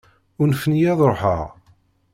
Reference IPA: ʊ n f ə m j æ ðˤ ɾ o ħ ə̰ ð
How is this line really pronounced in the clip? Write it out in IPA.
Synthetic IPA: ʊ n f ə n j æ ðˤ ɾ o ħ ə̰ ʁ